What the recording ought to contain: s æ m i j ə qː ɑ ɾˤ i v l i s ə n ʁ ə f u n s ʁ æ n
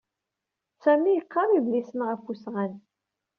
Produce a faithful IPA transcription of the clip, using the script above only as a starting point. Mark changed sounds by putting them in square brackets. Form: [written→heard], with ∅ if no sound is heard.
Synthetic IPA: s æ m i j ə qː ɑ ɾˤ i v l i s ə n ʁ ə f u [n→∅] s ʁ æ n